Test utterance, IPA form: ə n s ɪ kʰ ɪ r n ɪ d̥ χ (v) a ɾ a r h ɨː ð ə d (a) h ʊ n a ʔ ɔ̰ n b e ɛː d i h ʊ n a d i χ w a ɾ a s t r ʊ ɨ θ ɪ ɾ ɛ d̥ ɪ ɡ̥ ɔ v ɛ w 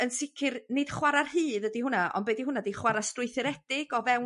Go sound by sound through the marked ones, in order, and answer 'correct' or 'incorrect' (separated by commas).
incorrect, incorrect